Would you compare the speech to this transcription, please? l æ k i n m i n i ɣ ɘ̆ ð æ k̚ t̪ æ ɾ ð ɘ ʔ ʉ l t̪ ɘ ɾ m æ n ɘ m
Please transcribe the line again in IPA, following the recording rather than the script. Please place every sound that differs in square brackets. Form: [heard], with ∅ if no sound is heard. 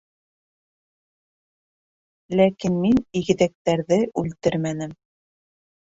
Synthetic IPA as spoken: l æ k i n m i n i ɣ ɘ̆ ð æ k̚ t̪ æ ɾ ð ɘ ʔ ʉ l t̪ ɘ ɾ m æ n ɘ m